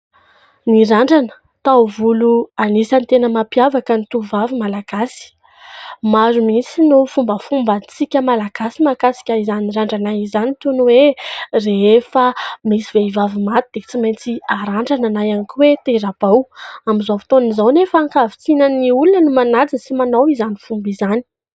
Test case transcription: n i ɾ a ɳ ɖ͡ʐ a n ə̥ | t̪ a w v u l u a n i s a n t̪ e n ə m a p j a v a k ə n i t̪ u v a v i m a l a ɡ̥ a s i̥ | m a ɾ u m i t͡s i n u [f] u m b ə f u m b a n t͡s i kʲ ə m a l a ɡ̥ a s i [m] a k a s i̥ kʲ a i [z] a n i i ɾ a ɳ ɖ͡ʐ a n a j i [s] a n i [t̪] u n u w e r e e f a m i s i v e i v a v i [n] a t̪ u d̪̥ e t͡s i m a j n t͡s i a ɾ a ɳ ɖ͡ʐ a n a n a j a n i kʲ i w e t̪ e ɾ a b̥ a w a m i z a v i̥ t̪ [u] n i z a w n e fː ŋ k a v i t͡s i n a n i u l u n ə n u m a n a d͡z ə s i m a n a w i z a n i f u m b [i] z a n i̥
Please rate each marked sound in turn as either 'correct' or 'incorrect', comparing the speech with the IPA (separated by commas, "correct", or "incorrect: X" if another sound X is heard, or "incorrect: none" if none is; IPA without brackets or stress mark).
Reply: correct, correct, correct, incorrect: z, correct, incorrect: m, incorrect: o, correct